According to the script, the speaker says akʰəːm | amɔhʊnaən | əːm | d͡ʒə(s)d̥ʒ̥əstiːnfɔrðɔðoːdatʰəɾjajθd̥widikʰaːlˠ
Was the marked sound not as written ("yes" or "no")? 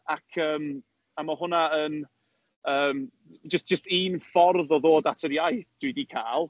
no